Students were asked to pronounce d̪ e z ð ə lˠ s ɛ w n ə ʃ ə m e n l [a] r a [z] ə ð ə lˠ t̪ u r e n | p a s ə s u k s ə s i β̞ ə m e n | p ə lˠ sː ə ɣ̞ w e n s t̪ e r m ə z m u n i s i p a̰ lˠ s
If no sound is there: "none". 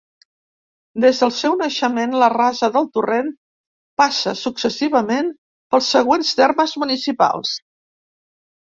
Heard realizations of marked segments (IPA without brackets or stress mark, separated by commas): ə, z